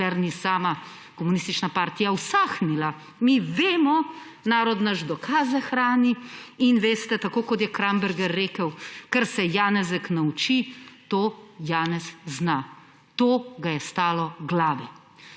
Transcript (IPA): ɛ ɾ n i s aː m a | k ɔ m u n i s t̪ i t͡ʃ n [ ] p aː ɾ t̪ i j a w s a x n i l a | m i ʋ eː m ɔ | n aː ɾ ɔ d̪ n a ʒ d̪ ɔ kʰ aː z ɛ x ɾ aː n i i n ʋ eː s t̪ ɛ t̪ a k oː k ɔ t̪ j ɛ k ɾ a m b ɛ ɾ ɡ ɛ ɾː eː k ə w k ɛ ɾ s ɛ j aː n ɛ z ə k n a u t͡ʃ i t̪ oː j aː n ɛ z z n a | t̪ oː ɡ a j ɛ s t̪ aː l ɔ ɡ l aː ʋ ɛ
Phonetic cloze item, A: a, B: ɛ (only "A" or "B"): A